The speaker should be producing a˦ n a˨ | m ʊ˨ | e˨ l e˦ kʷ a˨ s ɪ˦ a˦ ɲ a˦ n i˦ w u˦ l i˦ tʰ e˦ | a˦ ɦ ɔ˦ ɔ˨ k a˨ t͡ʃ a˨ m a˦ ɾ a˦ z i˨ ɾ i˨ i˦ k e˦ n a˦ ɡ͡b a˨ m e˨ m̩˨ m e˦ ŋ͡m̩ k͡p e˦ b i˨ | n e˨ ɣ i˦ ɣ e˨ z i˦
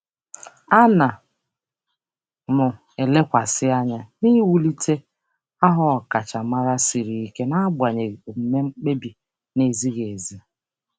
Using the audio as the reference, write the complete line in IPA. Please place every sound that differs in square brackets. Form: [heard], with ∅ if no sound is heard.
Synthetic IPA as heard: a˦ n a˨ | m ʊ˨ | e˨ l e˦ kʷ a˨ s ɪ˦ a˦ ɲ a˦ n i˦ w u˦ l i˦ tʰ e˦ | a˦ ɦ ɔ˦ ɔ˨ k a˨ t͡ʃ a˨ m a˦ ɾ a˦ [s] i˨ ɾ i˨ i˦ k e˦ n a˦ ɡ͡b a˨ [ɲ] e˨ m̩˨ m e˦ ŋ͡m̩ k͡p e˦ b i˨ | n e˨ [z] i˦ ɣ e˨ z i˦